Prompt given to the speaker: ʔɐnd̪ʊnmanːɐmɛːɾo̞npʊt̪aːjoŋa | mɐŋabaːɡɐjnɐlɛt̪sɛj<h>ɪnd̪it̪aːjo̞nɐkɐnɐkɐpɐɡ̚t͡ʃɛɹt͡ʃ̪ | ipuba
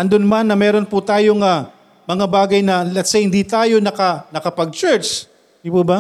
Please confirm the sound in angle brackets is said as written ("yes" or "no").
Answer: yes